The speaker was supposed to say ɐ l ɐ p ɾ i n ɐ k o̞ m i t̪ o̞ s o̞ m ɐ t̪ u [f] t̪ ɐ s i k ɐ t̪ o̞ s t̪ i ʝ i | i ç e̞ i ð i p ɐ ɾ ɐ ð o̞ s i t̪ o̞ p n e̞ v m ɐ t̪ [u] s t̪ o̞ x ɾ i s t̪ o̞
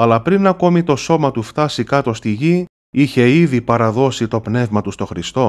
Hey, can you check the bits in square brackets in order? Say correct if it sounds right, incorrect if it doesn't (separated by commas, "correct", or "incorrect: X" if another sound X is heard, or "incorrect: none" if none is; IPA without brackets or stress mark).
correct, correct